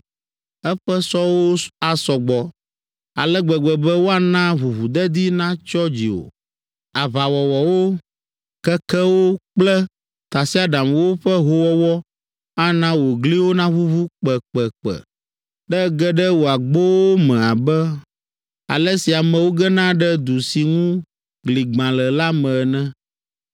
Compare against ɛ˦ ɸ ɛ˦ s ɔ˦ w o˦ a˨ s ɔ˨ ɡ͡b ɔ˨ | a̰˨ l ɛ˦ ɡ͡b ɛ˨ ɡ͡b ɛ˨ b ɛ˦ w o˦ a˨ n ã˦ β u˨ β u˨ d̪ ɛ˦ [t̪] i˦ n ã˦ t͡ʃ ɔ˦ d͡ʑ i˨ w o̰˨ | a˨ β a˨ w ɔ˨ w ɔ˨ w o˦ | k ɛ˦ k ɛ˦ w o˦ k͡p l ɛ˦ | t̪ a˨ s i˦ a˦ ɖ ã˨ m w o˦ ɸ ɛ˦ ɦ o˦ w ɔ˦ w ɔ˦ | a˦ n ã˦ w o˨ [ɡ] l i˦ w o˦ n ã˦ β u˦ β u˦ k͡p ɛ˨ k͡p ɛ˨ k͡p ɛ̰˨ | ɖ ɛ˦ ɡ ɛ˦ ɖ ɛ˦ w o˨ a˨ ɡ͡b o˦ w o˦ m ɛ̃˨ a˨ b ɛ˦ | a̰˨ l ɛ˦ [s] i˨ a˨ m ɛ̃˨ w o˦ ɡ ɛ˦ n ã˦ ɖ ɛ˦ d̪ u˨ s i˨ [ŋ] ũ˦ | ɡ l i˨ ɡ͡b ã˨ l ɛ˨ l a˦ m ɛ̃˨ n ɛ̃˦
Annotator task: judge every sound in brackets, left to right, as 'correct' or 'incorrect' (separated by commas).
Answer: incorrect, correct, correct, correct